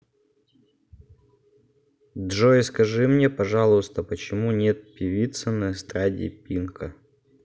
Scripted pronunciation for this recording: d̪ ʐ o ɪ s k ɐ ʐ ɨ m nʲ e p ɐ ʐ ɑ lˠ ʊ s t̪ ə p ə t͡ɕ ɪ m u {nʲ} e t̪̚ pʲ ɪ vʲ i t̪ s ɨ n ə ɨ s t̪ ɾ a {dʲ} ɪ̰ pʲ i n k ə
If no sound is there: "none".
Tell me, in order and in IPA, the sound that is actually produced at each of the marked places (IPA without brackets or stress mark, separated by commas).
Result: nʲ, dʲ